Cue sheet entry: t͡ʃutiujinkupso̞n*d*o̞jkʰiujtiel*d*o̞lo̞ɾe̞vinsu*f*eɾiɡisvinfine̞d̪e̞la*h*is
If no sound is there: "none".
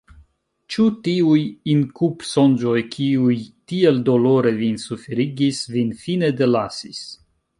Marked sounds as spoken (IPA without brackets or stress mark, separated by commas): d͡ʒ, d, f, s